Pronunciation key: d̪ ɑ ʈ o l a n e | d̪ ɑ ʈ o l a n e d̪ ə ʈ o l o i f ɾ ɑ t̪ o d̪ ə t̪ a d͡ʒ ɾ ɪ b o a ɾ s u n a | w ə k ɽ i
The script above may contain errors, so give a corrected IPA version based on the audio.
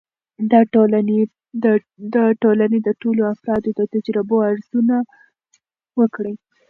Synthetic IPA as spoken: d̪ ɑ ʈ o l a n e | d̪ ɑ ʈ o l a n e d̪ ə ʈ o l o a f ɾ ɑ d̪ o d̪ ə t̪ a d͡ʒ ɾ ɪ b o a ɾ z u n a | w ə k ɽ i